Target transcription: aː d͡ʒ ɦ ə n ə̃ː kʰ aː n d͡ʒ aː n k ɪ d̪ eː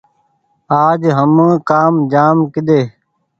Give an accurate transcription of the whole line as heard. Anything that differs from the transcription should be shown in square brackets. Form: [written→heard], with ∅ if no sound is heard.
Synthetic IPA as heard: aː d͡ʒ ɦ ə [n→m] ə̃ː [kʰ→k] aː [n→m] d͡ʒ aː [n→m] k ɪ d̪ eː